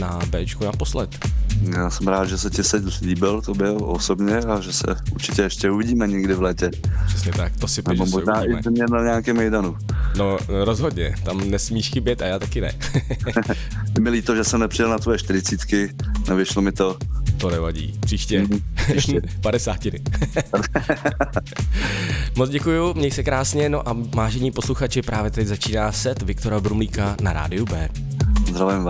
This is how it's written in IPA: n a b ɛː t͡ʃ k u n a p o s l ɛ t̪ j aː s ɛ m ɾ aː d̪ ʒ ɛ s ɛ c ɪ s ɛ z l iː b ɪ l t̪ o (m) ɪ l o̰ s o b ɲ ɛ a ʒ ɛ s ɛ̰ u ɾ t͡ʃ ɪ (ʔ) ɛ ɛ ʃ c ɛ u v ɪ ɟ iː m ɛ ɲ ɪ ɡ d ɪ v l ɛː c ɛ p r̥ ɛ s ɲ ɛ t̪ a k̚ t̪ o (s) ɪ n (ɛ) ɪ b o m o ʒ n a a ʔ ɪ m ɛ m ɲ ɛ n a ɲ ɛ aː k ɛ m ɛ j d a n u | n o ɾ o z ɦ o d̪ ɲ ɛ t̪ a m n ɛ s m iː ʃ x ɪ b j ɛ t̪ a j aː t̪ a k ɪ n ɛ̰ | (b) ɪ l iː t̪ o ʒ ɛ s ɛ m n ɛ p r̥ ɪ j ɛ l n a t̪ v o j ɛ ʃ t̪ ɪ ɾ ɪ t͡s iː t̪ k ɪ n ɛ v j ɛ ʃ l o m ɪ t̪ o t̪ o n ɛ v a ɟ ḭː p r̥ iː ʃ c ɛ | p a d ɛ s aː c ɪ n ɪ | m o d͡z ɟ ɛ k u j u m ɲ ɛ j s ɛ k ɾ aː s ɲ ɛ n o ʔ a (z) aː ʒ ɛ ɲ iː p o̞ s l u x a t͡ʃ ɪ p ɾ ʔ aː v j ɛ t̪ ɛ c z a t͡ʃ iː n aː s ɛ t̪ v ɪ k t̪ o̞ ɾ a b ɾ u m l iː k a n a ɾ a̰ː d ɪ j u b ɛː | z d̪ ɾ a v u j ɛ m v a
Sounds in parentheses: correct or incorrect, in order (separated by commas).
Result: incorrect, incorrect, correct, correct, incorrect, incorrect